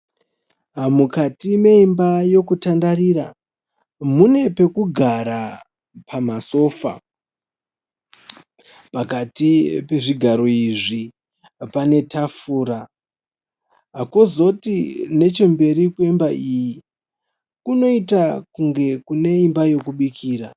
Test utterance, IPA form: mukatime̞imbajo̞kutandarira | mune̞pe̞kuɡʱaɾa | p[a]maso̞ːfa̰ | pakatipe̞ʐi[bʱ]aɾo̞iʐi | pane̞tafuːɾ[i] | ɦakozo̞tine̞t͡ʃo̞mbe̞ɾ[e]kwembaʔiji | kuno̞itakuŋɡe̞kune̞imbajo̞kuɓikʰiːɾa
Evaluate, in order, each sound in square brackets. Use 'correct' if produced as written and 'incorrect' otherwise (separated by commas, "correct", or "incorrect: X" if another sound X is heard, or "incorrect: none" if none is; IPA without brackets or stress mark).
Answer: correct, incorrect: ɡʱ, incorrect: a, incorrect: i